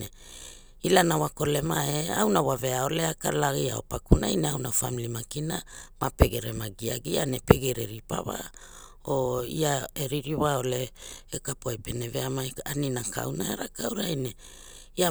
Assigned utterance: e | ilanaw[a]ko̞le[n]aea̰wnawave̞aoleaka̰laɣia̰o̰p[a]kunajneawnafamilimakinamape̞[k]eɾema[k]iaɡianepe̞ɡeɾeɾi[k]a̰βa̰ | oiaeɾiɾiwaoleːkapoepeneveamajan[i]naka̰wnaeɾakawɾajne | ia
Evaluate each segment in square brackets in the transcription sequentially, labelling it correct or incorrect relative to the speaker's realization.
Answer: correct, incorrect: m, correct, incorrect: ɡ, incorrect: ɡ, incorrect: p, correct

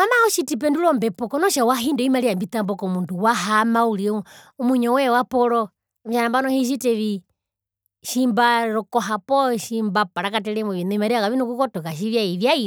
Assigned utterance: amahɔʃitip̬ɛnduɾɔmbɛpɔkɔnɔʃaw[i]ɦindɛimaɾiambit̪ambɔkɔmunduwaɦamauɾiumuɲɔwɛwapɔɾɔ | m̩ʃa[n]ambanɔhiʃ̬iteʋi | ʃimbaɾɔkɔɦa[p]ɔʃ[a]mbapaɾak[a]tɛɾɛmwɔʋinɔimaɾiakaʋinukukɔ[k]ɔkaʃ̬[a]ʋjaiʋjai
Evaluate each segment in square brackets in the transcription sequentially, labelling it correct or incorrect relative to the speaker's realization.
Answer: incorrect: a, correct, correct, incorrect: i, correct, incorrect: t, incorrect: i

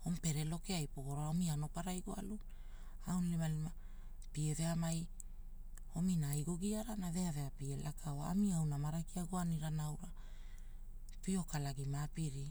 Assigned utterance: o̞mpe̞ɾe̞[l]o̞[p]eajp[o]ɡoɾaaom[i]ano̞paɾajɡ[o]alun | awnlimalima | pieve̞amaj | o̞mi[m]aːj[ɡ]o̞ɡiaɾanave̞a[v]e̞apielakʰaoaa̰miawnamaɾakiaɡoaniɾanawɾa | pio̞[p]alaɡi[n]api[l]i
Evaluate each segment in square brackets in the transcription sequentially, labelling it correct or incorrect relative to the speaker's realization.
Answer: correct, incorrect: k, correct, correct, correct, incorrect: n, correct, correct, incorrect: k, incorrect: m, incorrect: ɾ

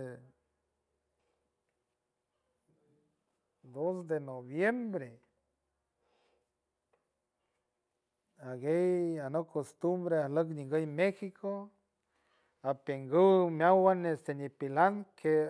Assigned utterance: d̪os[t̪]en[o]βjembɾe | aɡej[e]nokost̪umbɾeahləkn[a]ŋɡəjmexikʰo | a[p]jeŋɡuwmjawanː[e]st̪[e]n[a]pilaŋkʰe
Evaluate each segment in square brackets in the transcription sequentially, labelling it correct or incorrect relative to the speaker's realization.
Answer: incorrect: d̪, correct, incorrect: a, incorrect: i, correct, correct, correct, incorrect: i

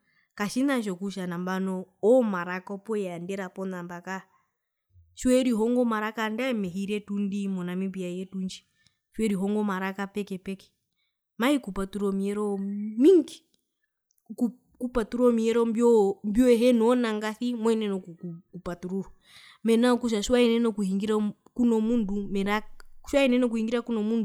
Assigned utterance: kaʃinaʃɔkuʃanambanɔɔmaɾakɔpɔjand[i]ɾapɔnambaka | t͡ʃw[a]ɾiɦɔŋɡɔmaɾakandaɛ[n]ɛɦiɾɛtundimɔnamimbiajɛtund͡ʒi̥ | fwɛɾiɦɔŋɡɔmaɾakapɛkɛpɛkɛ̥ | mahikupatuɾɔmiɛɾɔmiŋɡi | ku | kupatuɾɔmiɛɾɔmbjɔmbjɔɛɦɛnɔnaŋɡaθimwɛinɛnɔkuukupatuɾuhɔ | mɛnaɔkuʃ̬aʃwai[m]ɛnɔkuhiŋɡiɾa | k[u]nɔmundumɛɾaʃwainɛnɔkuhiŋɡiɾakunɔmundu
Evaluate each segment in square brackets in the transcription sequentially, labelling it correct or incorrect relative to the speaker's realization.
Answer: incorrect: ɛ, incorrect: ɛ, incorrect: m, incorrect: n, correct

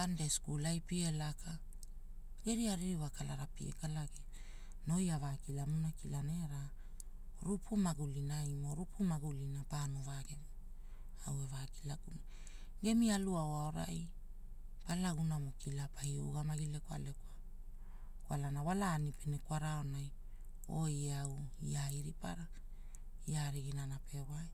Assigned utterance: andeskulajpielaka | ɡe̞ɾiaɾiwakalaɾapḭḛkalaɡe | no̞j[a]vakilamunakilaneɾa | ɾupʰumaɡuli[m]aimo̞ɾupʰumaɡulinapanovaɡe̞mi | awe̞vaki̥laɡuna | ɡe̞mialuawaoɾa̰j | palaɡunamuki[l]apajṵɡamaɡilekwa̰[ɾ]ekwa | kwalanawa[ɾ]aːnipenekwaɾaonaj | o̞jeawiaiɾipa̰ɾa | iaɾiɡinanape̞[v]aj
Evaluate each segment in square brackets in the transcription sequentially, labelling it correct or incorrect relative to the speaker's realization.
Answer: correct, incorrect: n, correct, incorrect: l, incorrect: l, incorrect: w

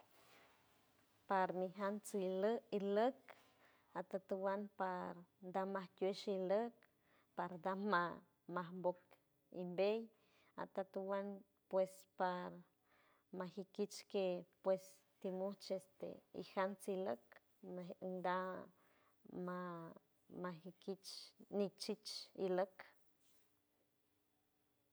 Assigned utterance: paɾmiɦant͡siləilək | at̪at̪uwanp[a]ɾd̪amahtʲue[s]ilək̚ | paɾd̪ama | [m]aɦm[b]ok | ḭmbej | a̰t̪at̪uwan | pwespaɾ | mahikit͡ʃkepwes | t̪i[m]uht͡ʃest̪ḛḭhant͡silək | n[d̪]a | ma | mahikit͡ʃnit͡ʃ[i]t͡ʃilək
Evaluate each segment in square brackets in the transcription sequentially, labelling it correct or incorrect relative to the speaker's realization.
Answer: correct, incorrect: ʃ, correct, correct, correct, correct, correct

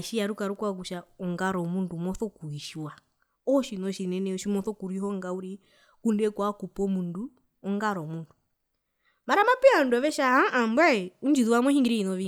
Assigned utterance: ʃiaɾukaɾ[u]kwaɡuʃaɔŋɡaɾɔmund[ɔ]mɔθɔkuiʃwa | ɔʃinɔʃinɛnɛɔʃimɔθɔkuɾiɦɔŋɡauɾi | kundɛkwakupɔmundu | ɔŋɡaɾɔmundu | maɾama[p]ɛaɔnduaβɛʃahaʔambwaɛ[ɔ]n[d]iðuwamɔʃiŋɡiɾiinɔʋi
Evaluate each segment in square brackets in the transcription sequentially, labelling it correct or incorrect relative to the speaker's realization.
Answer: correct, incorrect: u, correct, incorrect: u, incorrect: d͡ʒ

